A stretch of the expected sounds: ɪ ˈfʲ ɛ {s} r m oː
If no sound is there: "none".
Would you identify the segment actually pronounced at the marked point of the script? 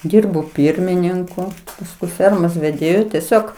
none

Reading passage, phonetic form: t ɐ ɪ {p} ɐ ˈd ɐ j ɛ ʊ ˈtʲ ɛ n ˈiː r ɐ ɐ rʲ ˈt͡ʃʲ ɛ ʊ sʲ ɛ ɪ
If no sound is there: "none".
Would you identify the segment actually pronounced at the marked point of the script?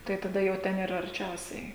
t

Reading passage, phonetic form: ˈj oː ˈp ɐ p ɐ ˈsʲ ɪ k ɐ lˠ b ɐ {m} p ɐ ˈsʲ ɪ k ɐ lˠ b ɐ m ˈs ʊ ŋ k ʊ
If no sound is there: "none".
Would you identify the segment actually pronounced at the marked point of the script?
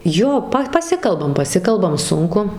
m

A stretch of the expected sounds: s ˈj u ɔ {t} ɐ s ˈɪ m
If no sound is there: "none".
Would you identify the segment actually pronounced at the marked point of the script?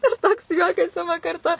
k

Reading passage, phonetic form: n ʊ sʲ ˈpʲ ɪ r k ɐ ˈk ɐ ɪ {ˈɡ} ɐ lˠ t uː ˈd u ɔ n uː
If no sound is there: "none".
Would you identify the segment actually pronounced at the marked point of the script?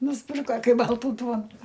b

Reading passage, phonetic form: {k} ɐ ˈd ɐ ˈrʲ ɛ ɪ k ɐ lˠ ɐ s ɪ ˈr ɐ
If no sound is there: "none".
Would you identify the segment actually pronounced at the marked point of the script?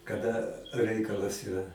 k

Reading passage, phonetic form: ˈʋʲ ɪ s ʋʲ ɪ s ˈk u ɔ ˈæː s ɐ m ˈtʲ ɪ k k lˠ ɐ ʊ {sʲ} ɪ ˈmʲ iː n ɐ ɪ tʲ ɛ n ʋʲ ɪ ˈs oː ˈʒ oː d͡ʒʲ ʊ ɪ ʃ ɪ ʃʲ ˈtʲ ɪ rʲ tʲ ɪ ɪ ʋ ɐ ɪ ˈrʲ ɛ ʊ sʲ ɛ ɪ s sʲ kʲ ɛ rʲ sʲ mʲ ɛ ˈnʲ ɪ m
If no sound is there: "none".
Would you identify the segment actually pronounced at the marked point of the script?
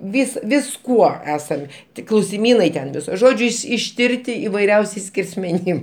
sʲ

